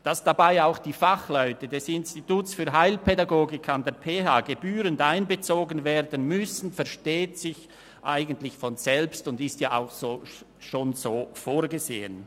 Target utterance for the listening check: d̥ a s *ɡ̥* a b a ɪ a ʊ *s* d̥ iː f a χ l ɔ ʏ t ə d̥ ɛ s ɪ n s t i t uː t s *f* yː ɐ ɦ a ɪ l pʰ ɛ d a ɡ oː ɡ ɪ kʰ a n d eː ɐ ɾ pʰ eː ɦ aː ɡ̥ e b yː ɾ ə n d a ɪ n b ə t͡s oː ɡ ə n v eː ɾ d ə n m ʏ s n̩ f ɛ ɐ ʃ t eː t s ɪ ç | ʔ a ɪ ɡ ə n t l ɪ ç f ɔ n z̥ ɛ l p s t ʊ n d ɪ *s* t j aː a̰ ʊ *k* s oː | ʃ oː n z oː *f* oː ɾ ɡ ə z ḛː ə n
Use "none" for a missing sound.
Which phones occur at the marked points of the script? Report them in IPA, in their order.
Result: d̥, x, f, s, x, f

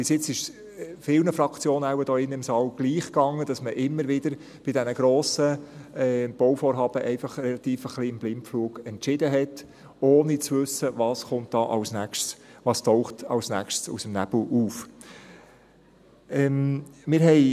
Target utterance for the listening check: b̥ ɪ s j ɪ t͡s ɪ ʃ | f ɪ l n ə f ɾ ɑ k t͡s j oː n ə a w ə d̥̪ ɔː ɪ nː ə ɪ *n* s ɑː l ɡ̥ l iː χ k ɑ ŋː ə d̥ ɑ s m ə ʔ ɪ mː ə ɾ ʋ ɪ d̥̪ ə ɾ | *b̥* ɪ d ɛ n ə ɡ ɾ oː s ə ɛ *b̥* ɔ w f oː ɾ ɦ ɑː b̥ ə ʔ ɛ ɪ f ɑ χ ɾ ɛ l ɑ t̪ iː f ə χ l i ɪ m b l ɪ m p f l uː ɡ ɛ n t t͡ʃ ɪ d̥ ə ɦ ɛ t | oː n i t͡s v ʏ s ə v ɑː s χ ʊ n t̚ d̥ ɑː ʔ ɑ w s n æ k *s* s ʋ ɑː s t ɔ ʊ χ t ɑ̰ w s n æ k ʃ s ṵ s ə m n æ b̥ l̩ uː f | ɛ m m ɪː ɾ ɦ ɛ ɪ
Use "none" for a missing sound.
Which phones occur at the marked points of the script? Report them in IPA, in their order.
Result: m, b̥, b̥, ʃ

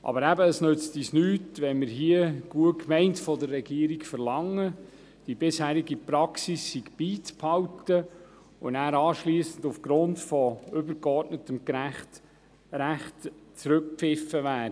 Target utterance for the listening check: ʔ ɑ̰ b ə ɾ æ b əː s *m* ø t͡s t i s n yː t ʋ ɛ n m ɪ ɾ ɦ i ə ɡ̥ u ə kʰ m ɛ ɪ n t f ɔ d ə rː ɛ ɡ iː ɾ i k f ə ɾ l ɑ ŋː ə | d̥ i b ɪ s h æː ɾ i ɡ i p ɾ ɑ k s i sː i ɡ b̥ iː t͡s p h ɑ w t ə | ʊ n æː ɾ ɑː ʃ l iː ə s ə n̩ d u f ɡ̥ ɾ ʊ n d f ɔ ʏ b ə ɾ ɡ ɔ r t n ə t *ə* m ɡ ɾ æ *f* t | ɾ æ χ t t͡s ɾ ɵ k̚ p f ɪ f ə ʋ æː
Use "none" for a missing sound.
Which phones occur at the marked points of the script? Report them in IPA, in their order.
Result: n, ə, χ

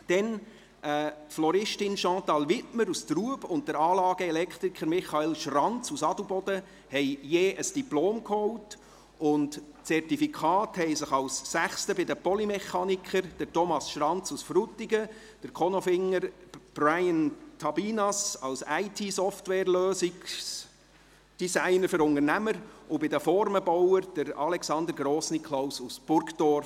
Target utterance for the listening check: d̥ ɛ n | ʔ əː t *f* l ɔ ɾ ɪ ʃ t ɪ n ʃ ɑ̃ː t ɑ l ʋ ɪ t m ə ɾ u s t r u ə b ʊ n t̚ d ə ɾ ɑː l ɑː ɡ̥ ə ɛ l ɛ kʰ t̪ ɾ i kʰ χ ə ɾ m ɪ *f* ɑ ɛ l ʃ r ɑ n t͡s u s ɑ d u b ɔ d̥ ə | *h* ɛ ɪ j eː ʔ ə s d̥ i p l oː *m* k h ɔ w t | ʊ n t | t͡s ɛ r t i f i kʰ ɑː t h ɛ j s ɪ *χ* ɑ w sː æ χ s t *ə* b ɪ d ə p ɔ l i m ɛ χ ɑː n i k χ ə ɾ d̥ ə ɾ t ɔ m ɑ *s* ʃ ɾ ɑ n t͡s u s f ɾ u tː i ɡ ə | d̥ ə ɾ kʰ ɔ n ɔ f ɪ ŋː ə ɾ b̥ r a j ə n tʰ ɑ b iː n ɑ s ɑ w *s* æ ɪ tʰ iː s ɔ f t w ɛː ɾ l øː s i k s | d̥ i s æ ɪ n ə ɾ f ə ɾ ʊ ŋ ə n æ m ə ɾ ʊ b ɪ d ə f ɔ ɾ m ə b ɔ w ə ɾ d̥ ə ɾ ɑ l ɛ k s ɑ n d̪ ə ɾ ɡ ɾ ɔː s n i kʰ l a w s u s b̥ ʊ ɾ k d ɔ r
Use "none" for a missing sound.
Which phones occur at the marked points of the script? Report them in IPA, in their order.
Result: f, χ, h, m, χ, ə, s, s

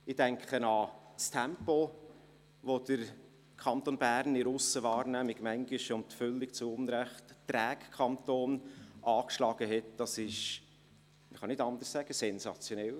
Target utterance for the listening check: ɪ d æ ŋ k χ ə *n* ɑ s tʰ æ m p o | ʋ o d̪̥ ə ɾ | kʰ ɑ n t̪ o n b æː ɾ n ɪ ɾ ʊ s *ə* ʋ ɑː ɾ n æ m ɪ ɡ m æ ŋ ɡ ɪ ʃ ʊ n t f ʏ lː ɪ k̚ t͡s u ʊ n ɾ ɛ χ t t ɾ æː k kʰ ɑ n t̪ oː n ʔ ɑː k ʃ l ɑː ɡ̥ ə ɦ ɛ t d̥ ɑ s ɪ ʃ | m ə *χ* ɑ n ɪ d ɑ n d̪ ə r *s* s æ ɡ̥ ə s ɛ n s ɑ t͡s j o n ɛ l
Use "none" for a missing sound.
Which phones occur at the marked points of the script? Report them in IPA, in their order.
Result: n, ə, χ, s

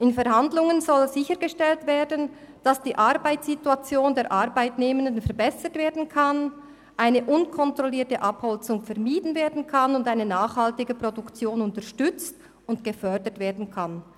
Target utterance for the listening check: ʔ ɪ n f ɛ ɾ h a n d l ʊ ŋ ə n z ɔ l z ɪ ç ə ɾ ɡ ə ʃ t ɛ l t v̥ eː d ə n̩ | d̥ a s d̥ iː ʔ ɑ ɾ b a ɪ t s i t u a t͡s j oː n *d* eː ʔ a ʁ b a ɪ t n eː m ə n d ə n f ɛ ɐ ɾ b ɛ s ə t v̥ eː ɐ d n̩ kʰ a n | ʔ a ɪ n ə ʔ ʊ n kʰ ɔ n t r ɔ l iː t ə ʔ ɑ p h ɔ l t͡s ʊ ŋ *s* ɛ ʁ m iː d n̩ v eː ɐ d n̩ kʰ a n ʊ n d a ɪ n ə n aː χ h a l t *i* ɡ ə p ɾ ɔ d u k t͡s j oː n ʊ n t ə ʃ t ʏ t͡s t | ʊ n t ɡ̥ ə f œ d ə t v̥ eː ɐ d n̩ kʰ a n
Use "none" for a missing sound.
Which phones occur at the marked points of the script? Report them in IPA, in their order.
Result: d, f, ɪ

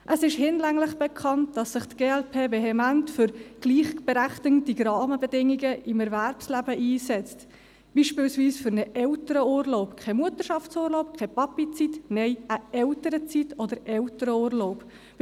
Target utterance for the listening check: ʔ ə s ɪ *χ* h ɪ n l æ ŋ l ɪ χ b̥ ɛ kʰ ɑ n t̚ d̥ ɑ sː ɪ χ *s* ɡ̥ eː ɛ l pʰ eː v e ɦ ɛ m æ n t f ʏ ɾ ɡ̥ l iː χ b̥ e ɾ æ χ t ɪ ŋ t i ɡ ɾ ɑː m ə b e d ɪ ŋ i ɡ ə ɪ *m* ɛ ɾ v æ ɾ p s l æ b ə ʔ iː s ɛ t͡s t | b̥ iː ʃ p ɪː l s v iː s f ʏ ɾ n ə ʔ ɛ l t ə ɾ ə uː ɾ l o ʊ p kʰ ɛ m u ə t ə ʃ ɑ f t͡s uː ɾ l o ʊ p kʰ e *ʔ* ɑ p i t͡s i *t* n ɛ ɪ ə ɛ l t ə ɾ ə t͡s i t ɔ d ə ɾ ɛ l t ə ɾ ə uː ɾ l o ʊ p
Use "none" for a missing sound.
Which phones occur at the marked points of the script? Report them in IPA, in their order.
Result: ʃ, t, m, p, t

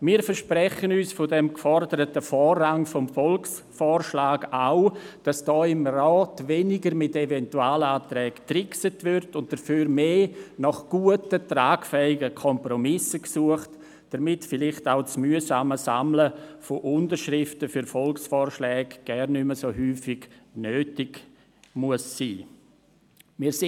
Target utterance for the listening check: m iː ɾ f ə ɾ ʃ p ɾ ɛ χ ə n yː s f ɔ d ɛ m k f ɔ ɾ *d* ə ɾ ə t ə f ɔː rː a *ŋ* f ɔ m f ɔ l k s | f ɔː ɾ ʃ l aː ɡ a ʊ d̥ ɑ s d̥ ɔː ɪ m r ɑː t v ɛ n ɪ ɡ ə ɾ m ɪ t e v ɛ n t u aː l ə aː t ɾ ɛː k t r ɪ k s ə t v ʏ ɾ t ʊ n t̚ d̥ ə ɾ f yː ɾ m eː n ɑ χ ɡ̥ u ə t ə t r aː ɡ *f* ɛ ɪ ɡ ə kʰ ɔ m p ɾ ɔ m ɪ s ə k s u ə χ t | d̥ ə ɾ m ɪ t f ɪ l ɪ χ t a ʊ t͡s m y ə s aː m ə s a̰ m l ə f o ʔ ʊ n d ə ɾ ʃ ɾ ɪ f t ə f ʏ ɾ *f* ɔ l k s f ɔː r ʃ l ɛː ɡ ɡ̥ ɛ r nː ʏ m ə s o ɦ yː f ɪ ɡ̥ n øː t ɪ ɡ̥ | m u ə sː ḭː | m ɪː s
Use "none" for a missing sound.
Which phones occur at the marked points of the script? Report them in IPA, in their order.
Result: d, ŋ, f, f

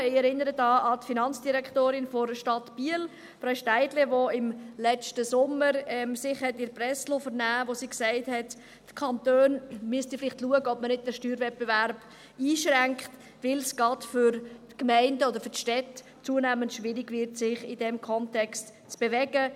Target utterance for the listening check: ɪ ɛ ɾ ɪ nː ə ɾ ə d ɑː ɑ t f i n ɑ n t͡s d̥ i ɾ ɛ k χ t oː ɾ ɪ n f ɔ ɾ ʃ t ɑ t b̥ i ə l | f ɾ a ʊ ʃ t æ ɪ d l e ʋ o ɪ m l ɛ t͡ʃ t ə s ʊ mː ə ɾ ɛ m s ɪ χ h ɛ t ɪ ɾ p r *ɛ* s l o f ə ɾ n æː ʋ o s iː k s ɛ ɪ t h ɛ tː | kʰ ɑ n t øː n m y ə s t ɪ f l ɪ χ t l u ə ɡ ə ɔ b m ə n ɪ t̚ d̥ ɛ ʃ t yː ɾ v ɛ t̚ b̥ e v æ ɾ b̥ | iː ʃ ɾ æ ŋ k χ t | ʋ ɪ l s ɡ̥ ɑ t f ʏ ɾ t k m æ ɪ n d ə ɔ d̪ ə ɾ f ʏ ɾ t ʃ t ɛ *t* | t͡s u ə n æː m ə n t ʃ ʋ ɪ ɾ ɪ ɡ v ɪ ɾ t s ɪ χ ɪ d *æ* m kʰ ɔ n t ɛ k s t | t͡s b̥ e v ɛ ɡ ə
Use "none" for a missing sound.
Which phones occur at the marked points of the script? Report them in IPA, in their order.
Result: ɛ, t, ɛ

